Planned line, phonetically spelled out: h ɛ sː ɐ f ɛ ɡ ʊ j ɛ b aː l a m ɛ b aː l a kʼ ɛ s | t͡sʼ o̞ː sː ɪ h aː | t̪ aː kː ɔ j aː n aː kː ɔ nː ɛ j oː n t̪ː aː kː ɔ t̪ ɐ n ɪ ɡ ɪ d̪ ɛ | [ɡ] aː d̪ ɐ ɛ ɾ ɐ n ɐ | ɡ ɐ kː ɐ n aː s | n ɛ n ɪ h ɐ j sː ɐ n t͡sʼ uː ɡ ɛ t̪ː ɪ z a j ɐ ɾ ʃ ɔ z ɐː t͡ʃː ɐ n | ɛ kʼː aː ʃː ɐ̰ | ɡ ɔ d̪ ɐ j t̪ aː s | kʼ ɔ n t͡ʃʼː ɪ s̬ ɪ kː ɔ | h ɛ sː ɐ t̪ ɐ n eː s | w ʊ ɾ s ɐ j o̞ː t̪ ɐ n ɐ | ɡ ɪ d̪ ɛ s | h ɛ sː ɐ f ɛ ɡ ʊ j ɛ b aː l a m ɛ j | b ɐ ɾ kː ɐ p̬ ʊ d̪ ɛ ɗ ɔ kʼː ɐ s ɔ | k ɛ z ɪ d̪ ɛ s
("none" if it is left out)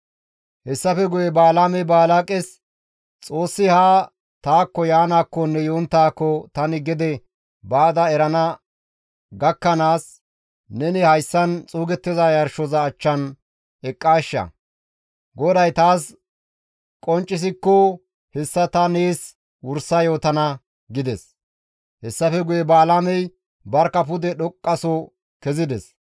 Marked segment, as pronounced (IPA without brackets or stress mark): b